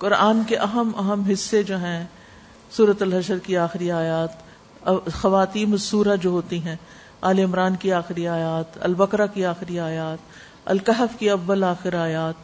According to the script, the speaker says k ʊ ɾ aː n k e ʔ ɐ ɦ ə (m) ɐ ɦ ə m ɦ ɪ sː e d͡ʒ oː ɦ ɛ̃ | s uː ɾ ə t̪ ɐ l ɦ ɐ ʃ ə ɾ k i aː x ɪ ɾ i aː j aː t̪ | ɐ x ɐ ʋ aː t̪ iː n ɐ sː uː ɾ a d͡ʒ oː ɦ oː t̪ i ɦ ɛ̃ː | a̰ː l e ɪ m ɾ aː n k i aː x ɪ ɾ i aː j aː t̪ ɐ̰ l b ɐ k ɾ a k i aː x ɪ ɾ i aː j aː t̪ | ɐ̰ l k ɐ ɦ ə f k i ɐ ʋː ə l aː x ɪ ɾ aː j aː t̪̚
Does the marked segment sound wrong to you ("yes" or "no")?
no